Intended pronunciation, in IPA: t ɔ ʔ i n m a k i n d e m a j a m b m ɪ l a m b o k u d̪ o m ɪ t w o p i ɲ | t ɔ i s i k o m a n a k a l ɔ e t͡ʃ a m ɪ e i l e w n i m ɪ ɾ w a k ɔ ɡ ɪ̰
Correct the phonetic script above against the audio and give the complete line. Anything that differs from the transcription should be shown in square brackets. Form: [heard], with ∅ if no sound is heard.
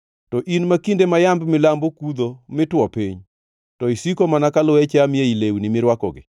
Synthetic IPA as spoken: t ɔ ʔ i n m a k i n d e m a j a m b m ɪ l a m b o k u d̪ o m ɪ t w [ɔ] p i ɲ | t ɔ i s i k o m a n a k a l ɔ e t͡ʃ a m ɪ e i l e w n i m ɪ ɾ w a k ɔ ɡ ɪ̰